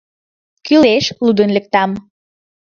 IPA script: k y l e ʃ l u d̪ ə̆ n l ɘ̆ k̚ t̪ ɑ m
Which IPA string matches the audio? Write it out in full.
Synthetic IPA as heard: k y l e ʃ l u d̪ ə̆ n l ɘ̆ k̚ t̪ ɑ m